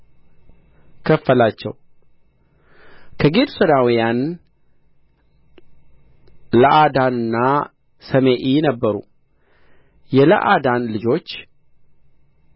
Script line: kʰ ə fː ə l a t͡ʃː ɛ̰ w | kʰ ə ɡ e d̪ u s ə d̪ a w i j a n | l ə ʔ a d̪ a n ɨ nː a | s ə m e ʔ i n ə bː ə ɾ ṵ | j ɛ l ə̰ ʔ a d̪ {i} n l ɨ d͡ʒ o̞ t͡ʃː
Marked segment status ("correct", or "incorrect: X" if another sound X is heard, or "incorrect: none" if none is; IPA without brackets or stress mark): incorrect: a